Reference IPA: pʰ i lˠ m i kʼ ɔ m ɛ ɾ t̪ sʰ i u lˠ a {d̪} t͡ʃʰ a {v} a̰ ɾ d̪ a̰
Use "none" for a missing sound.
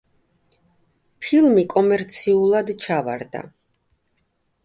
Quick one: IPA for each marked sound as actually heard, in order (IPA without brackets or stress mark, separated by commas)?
d̪, v